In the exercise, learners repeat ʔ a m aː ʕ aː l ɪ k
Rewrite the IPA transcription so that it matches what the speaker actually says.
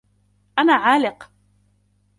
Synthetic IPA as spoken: ʔ a n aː ʕ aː l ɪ q